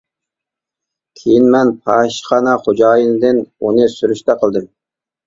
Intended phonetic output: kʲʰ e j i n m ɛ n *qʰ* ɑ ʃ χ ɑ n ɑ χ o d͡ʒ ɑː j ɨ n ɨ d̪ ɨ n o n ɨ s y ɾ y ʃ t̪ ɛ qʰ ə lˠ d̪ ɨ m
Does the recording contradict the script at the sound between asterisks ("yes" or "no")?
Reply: yes